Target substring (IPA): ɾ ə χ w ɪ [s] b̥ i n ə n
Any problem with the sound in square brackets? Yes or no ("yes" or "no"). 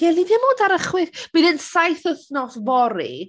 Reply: yes